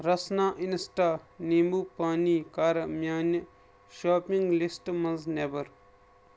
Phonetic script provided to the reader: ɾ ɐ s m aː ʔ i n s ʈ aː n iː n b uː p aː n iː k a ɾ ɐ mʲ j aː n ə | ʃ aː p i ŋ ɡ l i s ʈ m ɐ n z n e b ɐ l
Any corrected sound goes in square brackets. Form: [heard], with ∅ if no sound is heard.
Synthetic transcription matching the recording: ɾ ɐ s [n] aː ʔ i n s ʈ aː n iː [m] b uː p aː n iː k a ɾ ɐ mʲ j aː n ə | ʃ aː p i ŋ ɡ l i s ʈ m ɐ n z n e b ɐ [ɾ]